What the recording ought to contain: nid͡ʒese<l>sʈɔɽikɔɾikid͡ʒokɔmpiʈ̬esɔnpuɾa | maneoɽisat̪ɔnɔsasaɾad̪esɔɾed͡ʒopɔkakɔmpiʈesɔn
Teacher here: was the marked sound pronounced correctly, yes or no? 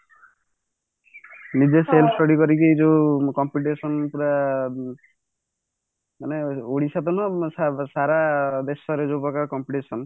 yes